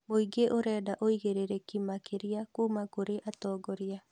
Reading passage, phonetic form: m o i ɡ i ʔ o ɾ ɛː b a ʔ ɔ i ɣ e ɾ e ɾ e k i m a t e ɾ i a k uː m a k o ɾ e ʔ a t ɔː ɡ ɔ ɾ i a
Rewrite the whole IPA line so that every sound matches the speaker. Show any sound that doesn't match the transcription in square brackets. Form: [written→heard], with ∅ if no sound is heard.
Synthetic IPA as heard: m o i ɡ [i→e] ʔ o ɾ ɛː [b→d] a ʔ [ɔ→o] i ɣ e ɾ e ɾ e k i m a [t→k] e ɾ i a k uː m a k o ɾ e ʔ a t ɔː ɡ ɔ ɾ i a